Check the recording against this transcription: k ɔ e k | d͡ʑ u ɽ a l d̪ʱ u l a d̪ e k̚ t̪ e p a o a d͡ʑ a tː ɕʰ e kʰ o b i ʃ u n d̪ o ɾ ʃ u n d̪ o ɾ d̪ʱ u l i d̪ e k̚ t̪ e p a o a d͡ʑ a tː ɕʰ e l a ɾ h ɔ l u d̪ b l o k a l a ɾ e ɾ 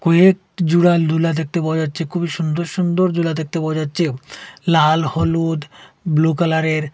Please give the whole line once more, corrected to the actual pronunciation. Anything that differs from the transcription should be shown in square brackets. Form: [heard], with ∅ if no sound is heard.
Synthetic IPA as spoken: k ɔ e k | d͡ʑ u ɽ a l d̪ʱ u l a d̪ e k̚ t̪ e p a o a d͡ʑ a tː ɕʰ e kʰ [u] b i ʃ u n d̪ o ɾ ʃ u n d̪ o ɾ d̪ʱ u l [a] d̪ e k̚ t̪ e p a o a d͡ʑ a tː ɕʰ e l a [l] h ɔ l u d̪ b l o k a l a ɾ e ɾ

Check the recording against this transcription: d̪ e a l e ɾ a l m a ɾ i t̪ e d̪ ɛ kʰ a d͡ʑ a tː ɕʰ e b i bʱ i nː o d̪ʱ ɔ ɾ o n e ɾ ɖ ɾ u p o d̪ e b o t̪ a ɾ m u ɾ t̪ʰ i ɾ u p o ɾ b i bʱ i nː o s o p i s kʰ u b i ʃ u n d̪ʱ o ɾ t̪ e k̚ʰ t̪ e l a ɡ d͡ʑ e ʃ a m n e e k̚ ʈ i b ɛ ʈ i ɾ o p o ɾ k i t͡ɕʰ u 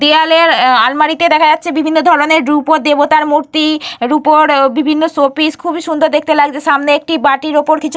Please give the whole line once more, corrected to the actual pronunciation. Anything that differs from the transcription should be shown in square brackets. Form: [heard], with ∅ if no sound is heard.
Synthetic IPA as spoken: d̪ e a l e ɾ a l m a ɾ i t̪ e d̪ ɛ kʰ a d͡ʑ a tː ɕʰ e b i bʱ i nː o d̪ʱ ɔ ɾ o n e ɾ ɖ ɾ u p o d̪ e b o t̪ a ɾ m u ɾ [t̪] i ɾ u p o ɾ b i bʱ i nː o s o p i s kʰ u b i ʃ u n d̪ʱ o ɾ [d̪] e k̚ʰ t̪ e l a ɡ d͡ʑ e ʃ a m n e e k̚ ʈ i b [a] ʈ i ɾ o p o ɾ k i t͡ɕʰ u

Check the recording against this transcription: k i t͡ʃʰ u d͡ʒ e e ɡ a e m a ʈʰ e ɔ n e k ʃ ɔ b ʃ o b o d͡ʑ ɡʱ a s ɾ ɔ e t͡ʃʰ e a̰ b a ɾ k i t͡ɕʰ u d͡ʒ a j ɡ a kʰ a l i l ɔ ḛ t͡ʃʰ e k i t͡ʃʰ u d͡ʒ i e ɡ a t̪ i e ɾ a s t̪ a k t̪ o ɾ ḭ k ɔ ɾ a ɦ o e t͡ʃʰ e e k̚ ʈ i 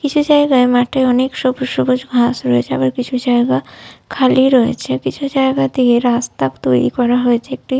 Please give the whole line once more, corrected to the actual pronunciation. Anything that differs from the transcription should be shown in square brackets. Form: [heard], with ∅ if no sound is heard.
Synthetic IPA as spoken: k i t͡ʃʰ u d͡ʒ [a] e ɡ a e m a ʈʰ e ɔ n e k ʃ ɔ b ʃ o b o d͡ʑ ɡʱ a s ɾ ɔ e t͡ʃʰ e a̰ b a ɾ k i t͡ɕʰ u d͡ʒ a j ɡ a kʰ a l i [ɾ] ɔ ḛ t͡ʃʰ e k i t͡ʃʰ u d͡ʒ [a] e ɡ a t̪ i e ɾ a s t̪ a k t̪ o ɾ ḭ k ɔ ɾ a ɦ o e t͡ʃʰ e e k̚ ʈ i

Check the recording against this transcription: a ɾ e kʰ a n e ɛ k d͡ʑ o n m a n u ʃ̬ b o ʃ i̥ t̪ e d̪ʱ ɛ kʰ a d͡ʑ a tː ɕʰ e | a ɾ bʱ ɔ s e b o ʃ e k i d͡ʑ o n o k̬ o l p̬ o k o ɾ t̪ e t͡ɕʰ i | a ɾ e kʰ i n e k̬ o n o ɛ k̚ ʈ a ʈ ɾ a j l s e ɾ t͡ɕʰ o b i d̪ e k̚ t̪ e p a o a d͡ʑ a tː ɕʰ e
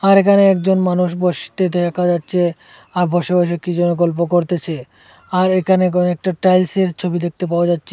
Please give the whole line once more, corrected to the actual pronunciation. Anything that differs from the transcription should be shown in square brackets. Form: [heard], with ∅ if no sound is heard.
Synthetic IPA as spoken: a ɾ e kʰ a n e ɛ k d͡ʑ o n m a n u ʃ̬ b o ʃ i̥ t̪ e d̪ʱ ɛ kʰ a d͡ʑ a tː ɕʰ e | a ɾ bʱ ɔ [ʃ] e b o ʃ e k i d͡ʑ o n o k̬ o l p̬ o k o ɾ t̪ e t͡ɕʰ [e] | a ɾ e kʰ [a] n e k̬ o n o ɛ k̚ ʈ a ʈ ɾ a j l s e ɾ t͡ɕʰ o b i d̪ e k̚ t̪ e p a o a d͡ʑ a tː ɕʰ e

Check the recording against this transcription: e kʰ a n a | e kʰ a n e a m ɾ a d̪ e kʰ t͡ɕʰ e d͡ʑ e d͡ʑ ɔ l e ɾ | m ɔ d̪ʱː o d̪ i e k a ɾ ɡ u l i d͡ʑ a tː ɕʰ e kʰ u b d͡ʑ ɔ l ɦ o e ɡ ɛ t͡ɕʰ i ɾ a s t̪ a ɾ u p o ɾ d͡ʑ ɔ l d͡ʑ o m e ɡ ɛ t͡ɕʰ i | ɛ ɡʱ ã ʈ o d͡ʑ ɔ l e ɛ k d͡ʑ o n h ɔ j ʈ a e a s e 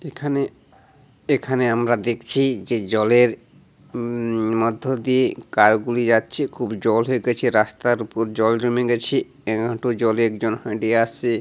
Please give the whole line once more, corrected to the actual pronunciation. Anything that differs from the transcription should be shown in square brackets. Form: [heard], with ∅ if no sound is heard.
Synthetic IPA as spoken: e kʰ a n [e] | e kʰ a n e a m ɾ a d̪ e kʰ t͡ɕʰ [i] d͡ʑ e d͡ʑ ɔ l e ɾ | m ɔ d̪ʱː o d̪ i e k a ɾ ɡ u l i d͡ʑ a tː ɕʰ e kʰ u b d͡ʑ ɔ l ɦ o e ɡ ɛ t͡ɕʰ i ɾ a s t̪ a ɾ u p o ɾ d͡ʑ ɔ l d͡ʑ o m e ɡ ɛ t͡ɕʰ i | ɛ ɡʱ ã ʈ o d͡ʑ ɔ l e ɛ k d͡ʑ o n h ɔ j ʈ [i] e a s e

